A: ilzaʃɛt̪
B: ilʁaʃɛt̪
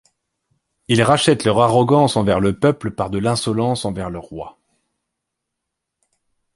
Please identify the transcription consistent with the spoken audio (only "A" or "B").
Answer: B